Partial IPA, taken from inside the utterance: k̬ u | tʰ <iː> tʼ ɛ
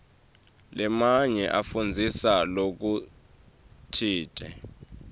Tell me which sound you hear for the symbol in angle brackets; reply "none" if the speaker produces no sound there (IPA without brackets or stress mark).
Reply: iː